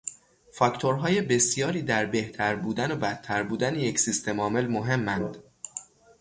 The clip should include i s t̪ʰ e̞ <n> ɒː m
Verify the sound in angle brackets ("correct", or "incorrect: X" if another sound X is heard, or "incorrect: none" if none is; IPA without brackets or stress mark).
incorrect: m